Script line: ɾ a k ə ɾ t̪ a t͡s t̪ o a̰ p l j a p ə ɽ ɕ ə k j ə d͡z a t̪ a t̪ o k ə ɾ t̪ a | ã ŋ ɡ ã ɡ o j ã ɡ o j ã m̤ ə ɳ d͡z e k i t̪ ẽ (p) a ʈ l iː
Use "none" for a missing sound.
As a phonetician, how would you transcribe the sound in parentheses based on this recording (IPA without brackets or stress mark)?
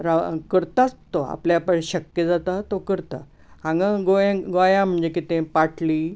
p